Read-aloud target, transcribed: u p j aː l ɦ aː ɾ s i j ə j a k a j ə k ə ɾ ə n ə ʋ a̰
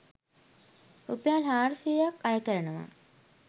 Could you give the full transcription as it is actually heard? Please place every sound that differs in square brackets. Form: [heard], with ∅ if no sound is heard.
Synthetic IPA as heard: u p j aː l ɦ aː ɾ s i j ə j a k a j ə k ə ɾ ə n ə ʋ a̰

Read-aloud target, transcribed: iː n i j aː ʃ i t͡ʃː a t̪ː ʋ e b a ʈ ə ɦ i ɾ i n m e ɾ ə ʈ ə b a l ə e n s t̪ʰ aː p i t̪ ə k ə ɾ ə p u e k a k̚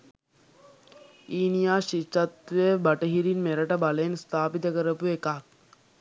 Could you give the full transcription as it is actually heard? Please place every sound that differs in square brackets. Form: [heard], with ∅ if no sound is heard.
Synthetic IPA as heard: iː n i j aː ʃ i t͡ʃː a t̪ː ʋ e b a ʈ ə ɦ i ɾ i n m e ɾ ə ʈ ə b a l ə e n s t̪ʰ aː p i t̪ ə k ə ɾ ə p u e k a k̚

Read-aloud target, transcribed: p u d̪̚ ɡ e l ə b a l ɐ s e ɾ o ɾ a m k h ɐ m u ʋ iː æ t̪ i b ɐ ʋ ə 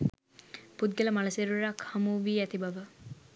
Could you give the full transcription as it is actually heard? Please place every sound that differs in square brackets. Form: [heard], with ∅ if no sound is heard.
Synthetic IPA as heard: p u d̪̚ ɡ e l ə [m] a l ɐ s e ɾ [u] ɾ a [∅] k h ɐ m u ʋ iː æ t̪ i b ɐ ʋ ə

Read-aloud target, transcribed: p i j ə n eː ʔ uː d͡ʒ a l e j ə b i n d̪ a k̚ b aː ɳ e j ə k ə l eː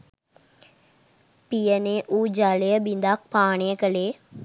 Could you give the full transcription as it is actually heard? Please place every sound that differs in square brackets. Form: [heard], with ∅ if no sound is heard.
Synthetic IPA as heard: p i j ə n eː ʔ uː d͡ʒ a l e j ə b i n d̪ a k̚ [p] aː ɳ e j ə k ə l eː

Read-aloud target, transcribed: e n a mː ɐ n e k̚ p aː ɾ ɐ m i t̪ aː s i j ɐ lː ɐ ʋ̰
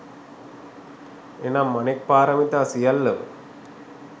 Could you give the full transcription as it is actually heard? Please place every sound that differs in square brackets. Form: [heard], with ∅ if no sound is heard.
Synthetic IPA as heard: e n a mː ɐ n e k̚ p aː ɾ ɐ m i t̪ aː s i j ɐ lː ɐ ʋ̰

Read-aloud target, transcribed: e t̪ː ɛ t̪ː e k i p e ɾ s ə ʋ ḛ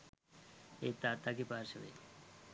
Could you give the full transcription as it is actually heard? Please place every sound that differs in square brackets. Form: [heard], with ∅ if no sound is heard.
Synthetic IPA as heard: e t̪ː [a] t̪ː [a] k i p [a] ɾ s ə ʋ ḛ

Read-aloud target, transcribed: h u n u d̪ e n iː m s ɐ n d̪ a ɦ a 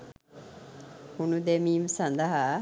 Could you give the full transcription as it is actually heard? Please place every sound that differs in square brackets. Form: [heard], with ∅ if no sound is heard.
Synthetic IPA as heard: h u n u d̪ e [m] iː m s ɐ n d̪ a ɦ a

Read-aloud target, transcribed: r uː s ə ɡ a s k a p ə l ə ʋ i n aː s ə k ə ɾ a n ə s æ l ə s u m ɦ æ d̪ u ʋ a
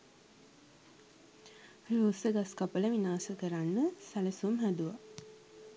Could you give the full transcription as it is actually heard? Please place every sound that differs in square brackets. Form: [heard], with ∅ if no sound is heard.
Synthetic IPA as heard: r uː s ə ɡ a s k a p ə l ə ʋ i n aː s ə k ə ɾ a [nː] ə s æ l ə s u m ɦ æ d̪ u ʋ a

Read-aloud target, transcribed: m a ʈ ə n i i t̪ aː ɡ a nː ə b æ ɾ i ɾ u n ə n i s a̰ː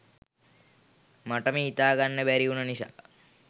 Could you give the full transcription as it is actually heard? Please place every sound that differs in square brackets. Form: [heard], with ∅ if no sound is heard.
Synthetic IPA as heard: m a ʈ ə [m] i i t̪ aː ɡ a nː ə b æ ɾ i [∅] u n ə n i s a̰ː

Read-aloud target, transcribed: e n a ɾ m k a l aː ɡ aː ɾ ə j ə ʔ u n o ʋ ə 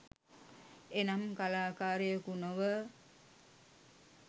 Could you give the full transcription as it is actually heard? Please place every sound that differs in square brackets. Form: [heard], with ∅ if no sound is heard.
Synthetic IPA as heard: e n a [∅] m k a l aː [k] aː ɾ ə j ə [k] u n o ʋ ə

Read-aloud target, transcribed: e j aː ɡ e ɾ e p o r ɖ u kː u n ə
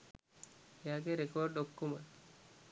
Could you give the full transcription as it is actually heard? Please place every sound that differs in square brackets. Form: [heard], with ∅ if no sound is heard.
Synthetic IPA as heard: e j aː ɡ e ɾ e [k] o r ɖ [o] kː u [m] ə

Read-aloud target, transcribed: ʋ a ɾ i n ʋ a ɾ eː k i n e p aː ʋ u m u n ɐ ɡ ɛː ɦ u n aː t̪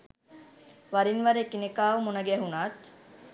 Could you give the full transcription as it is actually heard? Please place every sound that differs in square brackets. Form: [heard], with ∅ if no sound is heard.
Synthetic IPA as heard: ʋ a ɾ i n ʋ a ɾ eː k i n e [k] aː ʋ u m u n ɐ ɡ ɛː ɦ u n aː t̪

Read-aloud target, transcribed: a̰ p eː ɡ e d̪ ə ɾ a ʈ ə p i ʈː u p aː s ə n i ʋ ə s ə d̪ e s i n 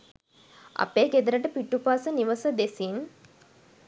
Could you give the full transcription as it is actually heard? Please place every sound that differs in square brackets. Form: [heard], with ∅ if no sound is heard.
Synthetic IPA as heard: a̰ p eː ɡ e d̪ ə ɾ [ə] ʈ ə p i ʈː u p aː s ə n i ʋ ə s ə d̪ e s i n

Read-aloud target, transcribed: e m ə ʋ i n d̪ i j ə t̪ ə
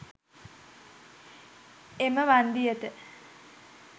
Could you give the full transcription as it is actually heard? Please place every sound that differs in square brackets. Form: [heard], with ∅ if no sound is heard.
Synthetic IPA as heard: e m ə ʋ [a] n d̪ i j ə t̪ ə

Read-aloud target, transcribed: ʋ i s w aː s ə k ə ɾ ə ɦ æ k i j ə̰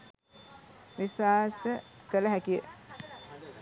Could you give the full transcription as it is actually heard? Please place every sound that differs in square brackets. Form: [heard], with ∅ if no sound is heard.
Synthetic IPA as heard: ʋ i s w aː s ə k ə [l] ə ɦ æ k i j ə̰

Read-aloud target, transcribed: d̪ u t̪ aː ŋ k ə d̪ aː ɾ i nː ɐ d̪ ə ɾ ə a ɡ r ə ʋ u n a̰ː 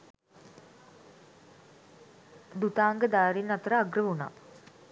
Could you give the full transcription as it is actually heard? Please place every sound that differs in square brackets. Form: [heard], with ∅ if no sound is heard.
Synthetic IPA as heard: d̪ u t̪ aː ŋ [ɡ] ə d̪ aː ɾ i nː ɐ [t̪] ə ɾ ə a ɡ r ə ʋ u n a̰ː

